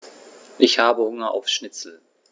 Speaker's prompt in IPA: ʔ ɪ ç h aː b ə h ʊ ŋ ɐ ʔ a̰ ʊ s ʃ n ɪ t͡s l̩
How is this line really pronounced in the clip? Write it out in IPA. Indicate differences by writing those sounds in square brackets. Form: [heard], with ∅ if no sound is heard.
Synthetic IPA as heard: ʔ ɪ ç h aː b ə h ʊ ŋ ɐ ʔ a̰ ʊ [f] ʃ n ɪ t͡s l̩